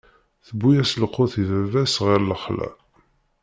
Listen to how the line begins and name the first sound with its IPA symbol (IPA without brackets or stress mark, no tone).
θ